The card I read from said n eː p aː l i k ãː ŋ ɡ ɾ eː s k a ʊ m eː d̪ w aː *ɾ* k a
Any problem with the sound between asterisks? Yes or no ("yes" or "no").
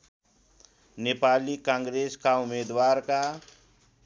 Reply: no